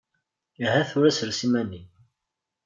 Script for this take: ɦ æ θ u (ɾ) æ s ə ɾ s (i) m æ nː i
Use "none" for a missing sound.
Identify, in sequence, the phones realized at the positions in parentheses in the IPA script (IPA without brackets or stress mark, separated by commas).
ɾ, i